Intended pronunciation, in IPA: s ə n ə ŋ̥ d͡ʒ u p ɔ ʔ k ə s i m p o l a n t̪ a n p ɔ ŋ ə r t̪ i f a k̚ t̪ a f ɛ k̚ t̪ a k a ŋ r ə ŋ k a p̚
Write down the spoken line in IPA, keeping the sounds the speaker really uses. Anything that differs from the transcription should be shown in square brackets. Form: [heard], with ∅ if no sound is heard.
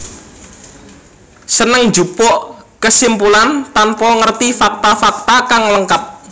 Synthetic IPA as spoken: s ə n ə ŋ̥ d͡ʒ u p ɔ ʔ k ə s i m p [u] l a n t̪ a n p ɔ ŋ ə r t̪ i f a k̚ t̪ a f [a] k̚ t̪ a k a ŋ [l] ə ŋ k a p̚